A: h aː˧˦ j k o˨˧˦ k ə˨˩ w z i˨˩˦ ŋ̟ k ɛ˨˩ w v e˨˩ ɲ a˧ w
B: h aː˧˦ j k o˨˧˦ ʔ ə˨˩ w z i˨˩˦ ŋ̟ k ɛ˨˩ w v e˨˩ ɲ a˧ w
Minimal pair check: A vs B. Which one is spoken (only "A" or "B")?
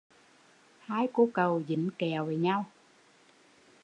A